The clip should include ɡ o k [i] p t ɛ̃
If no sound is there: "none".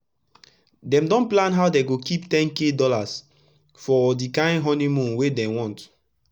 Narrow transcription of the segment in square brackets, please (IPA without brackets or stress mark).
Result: i